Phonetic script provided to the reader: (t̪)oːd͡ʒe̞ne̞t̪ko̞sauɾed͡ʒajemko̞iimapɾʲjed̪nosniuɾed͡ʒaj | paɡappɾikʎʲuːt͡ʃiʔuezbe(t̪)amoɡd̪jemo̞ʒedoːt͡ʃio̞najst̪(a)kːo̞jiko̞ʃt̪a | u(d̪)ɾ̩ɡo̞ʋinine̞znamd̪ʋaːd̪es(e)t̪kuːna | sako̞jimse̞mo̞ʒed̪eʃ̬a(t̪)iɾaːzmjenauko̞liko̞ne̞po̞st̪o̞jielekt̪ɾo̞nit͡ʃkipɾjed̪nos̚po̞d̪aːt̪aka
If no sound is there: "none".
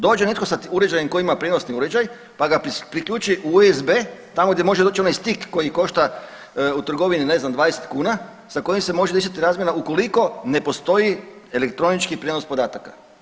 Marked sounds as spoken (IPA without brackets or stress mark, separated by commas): d̪, t̪, i, t̪, e, t̪